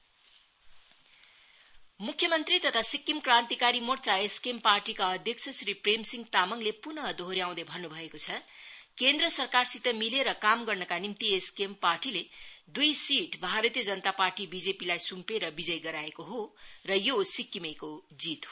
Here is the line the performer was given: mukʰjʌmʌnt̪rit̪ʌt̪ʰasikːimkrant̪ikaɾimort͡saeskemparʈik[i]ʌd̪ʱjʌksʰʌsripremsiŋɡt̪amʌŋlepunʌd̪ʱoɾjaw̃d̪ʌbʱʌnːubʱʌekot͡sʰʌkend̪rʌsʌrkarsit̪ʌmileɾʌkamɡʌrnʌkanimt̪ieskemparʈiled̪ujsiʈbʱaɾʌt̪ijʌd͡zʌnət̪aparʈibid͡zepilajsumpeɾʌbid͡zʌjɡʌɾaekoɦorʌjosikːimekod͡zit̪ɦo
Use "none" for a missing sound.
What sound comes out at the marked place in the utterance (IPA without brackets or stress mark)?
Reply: a